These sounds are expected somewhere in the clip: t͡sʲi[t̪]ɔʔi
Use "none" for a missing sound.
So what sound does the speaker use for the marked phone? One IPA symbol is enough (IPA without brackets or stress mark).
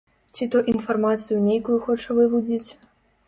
t̪